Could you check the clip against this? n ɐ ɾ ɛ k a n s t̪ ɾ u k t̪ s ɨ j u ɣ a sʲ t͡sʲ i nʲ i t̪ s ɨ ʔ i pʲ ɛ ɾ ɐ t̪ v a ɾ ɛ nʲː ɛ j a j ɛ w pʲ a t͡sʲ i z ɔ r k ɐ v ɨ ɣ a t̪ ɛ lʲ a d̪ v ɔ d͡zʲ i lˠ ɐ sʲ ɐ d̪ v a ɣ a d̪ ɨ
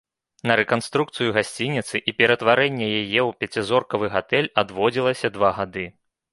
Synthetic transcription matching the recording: n ɐ ɾ ɛ k a n s t̪ ɾ u k t̪ s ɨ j u ɣ a sʲ t͡sʲ i nʲ i t̪ s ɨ ʔ i pʲ ɛ ɾ ɐ t̪ v a ɾ ɛ nʲː ɛ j a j ɛ w pʲ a t͡sʲ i z ɔ r k ɐ v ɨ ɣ a t̪ ɛ lʲ a d̪ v ɔ d͡zʲ i lˠ ɐ sʲ ɐ d̪ v a ɣ a d̪ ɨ